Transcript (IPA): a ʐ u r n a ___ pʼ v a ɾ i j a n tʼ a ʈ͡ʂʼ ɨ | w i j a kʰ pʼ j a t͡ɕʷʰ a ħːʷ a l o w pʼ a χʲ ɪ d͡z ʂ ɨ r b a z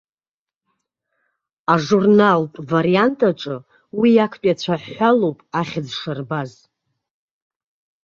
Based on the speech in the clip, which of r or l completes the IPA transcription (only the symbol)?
l